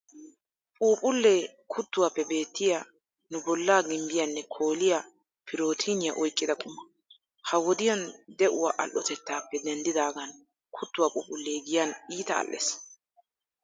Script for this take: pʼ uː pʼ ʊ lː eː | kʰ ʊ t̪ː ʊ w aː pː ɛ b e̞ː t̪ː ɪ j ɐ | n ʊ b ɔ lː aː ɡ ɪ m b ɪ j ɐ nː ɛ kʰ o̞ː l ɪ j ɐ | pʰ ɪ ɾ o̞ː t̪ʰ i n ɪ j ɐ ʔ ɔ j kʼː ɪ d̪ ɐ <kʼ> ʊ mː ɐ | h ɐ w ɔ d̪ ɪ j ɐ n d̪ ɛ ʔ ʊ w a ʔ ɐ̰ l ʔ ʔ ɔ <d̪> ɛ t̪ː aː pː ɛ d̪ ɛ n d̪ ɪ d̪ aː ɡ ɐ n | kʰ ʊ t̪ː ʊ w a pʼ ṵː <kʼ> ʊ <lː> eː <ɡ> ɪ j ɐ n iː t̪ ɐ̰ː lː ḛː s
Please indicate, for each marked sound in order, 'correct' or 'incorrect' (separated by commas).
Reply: correct, incorrect, incorrect, correct, correct